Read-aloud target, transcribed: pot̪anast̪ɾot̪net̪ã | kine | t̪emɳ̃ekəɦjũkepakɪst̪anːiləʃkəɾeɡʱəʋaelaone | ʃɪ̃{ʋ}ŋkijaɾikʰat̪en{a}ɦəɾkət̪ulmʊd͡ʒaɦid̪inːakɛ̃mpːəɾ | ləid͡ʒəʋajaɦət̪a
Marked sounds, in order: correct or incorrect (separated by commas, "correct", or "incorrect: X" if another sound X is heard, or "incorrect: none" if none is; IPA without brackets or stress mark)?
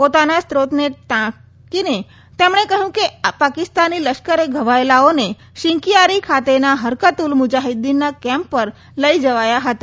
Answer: incorrect: none, correct